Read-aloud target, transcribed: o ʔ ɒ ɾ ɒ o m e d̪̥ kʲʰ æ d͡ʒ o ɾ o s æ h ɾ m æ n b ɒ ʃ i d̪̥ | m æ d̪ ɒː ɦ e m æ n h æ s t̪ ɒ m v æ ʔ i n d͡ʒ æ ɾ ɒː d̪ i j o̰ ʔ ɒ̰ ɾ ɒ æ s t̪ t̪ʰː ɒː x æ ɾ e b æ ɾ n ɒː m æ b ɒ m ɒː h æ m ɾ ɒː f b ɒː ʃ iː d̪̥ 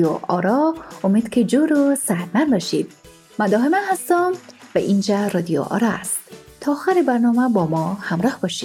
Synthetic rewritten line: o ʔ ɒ ɾ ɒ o m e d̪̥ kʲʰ e d͡ʒ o ɾ o s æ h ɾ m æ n b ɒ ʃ i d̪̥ | m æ d̪ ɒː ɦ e m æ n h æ s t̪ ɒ m v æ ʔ i n d͡ʒ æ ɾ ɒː d̪ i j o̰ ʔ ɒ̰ ɾ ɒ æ s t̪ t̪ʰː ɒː x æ ɾ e b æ ɾ n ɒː m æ b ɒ m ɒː h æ m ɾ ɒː h b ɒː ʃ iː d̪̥